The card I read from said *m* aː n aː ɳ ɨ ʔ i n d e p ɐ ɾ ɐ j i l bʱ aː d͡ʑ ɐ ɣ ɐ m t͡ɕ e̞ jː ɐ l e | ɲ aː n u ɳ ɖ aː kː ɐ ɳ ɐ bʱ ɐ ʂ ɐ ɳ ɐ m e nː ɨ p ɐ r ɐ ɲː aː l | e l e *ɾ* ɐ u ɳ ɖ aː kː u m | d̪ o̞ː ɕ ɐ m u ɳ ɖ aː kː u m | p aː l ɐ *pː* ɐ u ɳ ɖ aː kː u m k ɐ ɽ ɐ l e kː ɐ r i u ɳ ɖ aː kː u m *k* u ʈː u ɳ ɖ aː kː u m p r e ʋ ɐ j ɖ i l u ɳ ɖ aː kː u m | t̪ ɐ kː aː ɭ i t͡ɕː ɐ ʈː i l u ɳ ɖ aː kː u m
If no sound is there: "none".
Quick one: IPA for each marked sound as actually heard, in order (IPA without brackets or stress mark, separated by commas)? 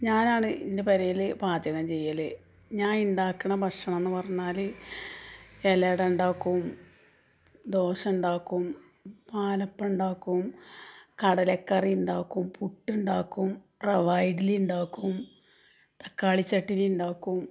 ɲ, ɽ, pː, p